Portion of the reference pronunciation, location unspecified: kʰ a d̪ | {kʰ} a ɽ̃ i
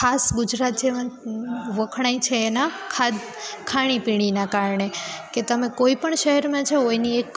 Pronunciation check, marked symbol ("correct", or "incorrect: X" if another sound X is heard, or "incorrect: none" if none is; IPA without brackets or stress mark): correct